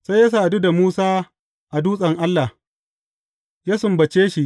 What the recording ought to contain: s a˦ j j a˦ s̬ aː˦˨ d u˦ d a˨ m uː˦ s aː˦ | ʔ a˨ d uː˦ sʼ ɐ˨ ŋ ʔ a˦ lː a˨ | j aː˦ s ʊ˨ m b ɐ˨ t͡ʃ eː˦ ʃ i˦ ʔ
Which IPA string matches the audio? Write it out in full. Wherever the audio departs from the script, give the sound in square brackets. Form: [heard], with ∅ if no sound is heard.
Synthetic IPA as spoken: s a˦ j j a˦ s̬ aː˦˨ d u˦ d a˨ m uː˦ s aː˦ | ʔ a˨ d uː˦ sʼ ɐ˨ ŋ ʔ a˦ lː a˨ | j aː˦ s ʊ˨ m b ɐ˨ t͡ʃ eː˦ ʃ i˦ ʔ